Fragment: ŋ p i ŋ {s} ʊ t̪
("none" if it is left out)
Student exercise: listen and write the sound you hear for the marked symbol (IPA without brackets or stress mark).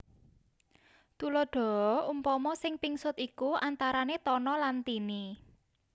s